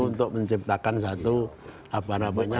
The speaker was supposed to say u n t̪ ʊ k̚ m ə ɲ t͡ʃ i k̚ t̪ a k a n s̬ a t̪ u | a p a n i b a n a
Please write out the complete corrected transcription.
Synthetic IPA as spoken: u n t̪ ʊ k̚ m ə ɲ t͡ʃ i p̚ t̪ a k a n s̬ a t̪ u | a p a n a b a ɲ a

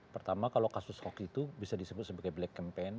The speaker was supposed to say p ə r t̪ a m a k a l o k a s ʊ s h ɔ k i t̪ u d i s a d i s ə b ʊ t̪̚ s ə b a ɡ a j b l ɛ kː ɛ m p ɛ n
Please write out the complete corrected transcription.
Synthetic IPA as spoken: p ə r t̪ a m a k a l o k a s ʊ s h ɔ k i t̪ u b i s a d i s ə b ʊ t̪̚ s ə b a ɡ a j b l ɛ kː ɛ m p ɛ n

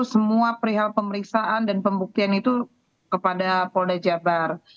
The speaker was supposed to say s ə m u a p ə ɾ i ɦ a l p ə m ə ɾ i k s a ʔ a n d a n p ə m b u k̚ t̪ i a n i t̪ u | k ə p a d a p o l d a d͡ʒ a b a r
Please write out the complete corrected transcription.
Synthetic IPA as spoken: s ə m u a p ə ɾ i ɦ a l p ə m ə ɾ i k s a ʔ a n d a n p ə m b u k̚ t̪ i a n i t̪ u | k ə p a d a p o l d a d͡ʒ a b a r

